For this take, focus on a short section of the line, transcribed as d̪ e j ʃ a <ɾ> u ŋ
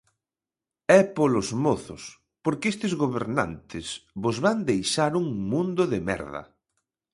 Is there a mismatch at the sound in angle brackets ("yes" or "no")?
no